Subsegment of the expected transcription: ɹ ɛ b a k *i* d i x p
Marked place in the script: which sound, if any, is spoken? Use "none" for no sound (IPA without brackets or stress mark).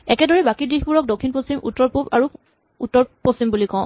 i